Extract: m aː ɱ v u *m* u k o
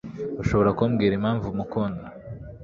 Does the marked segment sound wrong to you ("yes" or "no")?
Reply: no